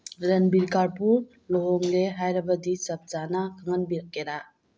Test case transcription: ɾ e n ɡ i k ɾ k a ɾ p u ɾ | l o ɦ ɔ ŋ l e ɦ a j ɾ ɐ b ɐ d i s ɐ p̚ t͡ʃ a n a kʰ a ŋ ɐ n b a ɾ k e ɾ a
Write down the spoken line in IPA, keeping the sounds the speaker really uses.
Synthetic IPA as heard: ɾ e n b i ɾ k a ɾ p u ɾ | l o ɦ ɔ ŋ l e ɦ a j ɾ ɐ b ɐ d i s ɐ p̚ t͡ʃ a n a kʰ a ŋ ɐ n b i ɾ k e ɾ a